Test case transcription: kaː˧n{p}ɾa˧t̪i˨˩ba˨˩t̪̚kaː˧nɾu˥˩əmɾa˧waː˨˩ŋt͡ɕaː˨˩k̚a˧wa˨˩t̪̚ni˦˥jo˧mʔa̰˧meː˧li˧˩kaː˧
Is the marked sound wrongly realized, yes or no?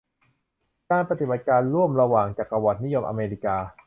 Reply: no